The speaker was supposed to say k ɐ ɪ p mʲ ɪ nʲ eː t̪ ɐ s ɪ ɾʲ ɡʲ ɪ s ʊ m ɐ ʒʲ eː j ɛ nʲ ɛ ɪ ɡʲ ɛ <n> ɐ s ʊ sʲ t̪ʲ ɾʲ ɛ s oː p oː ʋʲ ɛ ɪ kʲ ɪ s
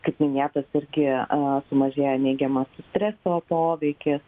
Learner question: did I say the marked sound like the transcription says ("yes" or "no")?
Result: no